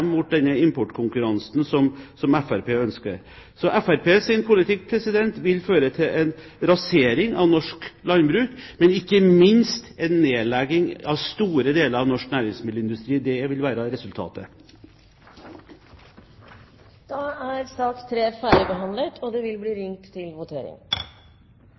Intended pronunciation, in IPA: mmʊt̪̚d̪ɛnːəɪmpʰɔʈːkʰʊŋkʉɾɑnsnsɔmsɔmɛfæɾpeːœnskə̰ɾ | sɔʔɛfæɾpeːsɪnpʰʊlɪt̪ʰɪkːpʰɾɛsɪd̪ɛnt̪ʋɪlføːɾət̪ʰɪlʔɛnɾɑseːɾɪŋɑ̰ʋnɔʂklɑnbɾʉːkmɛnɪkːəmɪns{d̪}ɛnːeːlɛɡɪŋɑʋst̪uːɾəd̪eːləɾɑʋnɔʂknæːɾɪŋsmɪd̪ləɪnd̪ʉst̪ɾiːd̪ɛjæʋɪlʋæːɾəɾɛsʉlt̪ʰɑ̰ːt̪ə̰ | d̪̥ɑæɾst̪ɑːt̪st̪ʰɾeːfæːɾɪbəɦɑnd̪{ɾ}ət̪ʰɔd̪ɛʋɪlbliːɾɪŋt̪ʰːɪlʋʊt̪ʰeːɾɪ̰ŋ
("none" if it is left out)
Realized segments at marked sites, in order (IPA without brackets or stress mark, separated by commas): t̪, l